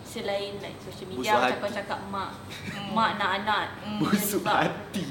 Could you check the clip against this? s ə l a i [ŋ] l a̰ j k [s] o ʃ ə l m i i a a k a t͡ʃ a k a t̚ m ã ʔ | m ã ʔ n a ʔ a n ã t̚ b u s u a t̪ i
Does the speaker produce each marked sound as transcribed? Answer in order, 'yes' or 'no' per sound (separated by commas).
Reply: no, yes